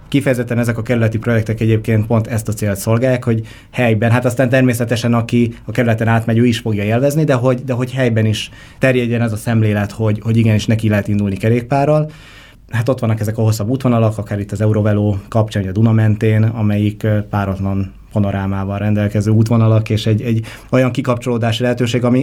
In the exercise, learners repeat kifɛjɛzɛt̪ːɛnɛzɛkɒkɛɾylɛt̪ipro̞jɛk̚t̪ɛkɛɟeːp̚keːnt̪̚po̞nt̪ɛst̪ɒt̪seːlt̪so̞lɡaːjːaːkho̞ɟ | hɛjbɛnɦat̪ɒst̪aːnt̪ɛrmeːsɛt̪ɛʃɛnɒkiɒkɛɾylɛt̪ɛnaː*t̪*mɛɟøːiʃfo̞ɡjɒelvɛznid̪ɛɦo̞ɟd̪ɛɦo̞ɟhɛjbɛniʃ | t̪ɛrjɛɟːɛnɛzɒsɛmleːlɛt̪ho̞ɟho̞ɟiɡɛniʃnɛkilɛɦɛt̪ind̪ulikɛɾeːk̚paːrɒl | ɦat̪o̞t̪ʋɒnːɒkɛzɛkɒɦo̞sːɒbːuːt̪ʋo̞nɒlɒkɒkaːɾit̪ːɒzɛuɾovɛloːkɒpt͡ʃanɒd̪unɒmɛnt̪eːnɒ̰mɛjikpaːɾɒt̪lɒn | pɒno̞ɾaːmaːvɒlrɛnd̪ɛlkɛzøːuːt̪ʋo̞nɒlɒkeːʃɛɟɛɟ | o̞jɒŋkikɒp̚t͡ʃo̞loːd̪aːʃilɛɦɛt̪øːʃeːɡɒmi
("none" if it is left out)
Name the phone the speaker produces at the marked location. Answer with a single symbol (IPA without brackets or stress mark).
t̪